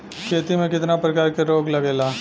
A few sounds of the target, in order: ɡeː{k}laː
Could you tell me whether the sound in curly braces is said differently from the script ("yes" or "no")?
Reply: yes